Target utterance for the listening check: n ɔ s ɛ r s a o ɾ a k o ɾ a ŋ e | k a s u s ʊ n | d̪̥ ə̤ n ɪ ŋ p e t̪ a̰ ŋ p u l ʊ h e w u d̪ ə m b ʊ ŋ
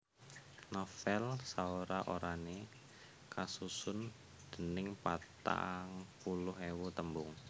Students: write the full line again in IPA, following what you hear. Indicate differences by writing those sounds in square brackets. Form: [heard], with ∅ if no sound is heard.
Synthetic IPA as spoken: n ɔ [f] ɛ [l] s a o ɾ a [ʔ] o ɾ a [n] e | k a s u s ʊ n | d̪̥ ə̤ n ɪ ŋ p [a] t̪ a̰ ŋ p u l ʊ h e w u [t̪] ə m b ʊ ŋ